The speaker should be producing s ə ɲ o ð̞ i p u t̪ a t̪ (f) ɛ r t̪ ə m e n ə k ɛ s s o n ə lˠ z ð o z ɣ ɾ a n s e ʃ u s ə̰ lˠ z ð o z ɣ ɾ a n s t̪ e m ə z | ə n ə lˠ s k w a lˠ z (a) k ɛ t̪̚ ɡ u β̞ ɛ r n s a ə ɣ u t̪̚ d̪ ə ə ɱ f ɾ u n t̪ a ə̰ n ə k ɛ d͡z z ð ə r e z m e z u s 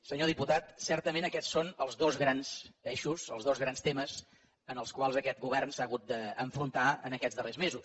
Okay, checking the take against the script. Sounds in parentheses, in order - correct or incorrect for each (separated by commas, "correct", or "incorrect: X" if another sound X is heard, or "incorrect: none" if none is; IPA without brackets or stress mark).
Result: incorrect: s, incorrect: ə